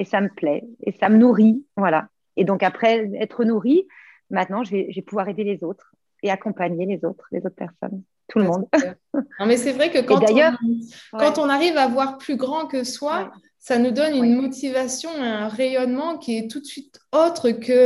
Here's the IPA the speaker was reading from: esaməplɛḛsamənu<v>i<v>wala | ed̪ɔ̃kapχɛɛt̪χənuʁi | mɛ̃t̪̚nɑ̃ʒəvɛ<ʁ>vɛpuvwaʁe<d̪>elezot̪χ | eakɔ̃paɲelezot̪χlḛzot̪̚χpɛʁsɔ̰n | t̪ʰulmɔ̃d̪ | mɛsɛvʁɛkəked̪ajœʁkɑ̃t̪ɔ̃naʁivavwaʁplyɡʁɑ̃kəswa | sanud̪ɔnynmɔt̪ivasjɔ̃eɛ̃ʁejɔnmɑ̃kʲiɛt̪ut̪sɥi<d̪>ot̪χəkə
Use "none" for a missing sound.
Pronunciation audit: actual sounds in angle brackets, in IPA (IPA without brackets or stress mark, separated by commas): ʁ, v, ʒ, d̪, t̪